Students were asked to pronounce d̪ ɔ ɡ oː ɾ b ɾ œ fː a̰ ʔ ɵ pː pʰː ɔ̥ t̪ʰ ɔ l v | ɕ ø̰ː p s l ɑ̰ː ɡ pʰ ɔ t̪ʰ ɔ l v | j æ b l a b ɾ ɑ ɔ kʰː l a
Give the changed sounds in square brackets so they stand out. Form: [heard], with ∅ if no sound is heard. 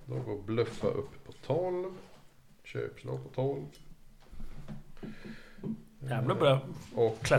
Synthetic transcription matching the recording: d̪ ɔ ɡ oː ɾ b [l] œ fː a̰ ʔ ɵ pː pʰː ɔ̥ t̪ʰ ɔ l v | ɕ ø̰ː p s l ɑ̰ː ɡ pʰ ɔ t̪ʰ ɔ l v | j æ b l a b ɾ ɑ ɔ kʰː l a